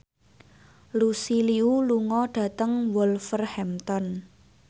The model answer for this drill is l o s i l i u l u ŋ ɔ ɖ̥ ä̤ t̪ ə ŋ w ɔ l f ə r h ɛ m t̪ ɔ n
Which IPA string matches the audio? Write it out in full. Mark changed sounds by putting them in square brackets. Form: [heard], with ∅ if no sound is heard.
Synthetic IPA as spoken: l [u] s i l i u l u ŋ ɔ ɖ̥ ä̤ t̪ ə ŋ w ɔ l f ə r h ɛ m t̪ ɔ n